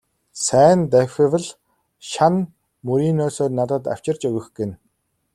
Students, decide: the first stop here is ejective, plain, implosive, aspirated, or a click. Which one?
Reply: plain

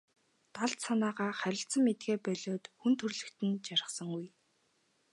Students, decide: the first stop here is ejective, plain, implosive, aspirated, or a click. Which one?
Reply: plain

